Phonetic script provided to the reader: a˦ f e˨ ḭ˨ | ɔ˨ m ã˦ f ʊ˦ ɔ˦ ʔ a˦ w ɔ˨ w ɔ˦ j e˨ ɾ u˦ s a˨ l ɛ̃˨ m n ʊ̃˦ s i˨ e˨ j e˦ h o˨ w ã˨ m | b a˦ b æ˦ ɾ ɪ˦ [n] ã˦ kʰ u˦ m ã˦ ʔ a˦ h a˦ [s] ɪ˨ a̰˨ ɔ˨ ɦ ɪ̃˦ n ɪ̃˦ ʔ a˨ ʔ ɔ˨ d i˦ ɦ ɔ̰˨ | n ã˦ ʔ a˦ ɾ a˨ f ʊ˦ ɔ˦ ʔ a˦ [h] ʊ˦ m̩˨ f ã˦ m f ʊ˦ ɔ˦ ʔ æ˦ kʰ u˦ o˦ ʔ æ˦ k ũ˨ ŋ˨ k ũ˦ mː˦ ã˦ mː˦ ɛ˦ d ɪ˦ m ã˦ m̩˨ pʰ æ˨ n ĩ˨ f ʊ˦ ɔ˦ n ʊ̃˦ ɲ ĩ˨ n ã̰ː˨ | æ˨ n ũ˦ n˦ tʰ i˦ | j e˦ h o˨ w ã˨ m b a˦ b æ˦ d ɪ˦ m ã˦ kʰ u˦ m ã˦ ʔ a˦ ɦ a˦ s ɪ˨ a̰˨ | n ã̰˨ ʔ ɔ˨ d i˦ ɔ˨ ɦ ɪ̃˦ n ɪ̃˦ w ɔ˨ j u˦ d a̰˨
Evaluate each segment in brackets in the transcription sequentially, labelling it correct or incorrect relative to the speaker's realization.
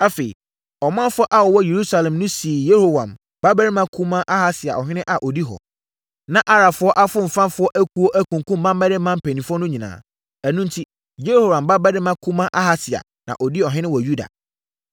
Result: incorrect: m, correct, incorrect: f

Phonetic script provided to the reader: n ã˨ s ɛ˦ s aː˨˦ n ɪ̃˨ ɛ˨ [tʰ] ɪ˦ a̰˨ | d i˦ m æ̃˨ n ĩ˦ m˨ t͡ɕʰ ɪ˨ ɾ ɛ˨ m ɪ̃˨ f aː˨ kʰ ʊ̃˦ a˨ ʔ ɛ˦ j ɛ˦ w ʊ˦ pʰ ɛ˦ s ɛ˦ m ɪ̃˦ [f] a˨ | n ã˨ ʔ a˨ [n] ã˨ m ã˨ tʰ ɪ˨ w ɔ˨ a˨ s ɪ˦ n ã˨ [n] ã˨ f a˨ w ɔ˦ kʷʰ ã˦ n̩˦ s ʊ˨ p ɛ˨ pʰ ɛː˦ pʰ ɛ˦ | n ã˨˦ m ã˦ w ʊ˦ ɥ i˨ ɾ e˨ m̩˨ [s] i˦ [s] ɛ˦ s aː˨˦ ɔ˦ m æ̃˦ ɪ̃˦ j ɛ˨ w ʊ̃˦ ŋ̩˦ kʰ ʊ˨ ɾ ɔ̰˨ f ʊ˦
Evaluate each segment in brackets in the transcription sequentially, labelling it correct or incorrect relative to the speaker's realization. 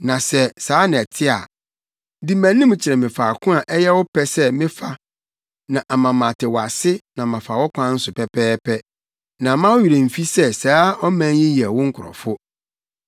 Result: correct, correct, incorrect: m, incorrect: m, incorrect: f, correct

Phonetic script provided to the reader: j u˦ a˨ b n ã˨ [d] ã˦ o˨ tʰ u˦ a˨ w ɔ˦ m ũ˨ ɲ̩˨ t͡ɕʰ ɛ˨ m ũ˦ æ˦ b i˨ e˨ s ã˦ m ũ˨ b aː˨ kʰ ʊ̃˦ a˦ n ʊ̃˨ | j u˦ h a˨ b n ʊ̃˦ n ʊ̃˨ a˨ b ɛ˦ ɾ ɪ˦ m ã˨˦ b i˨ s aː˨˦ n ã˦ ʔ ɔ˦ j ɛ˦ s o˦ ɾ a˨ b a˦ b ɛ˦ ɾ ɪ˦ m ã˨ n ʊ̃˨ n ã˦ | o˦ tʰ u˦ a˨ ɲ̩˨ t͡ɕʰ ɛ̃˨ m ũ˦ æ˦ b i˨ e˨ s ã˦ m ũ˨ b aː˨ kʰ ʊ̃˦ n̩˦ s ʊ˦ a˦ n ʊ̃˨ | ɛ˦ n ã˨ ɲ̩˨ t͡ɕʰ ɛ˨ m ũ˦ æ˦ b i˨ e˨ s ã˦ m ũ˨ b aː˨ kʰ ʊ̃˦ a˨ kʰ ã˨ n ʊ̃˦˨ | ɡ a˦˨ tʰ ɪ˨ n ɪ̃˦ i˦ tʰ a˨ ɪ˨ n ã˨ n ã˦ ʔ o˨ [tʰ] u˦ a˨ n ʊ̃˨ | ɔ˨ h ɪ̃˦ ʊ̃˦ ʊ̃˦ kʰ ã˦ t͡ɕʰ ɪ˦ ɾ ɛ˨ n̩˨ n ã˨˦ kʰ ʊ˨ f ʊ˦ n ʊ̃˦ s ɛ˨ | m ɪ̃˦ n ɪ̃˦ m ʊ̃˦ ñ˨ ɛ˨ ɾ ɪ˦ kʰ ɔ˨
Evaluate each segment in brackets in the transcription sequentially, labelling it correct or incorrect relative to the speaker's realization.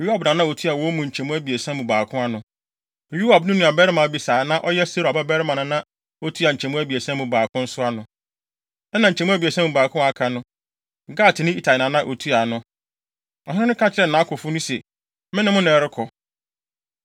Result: incorrect: n, correct

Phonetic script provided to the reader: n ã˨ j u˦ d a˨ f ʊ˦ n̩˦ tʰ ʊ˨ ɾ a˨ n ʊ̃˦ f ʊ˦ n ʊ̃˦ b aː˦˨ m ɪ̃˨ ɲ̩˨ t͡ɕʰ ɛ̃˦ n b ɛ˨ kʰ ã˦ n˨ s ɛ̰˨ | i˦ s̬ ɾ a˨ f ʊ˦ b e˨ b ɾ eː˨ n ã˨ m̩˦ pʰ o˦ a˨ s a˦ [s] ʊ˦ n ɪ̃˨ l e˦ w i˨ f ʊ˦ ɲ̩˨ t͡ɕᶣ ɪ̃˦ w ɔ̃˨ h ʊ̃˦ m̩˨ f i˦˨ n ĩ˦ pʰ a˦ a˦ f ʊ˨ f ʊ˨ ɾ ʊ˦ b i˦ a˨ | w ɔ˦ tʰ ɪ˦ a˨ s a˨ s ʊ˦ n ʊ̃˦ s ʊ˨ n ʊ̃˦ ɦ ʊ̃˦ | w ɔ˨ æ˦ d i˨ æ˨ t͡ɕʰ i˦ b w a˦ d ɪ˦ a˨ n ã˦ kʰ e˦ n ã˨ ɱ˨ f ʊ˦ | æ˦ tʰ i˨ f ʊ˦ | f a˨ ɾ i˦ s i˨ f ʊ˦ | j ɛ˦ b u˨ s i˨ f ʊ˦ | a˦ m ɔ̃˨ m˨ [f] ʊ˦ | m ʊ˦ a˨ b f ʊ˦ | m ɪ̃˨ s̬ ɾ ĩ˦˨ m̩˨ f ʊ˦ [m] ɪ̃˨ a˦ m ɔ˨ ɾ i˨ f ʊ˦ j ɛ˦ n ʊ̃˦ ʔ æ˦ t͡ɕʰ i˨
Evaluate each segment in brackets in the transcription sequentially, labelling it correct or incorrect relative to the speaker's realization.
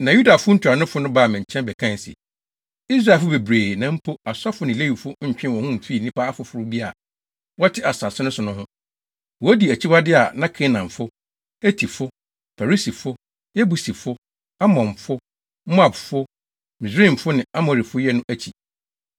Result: incorrect: f, correct, incorrect: n

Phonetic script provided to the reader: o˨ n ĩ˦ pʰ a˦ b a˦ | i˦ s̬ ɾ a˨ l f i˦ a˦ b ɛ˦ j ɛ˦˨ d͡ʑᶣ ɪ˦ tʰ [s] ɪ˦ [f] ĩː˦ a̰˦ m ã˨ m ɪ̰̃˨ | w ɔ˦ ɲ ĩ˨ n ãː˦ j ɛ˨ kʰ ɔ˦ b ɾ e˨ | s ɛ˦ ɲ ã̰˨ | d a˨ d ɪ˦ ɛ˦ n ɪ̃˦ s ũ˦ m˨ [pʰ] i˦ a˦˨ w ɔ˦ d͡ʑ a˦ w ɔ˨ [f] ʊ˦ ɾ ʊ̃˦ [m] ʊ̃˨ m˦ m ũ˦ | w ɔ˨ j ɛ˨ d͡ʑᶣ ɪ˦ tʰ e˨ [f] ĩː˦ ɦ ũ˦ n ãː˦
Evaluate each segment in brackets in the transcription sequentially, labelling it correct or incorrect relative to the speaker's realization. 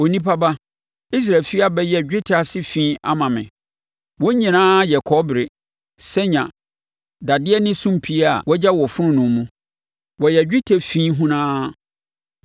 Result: correct, correct, correct, correct, incorrect: n, correct

